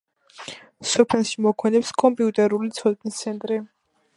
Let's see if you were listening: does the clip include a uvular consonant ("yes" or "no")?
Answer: no